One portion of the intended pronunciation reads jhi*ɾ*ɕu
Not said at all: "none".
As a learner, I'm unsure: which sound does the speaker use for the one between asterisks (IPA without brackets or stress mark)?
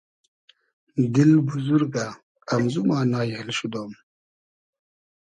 l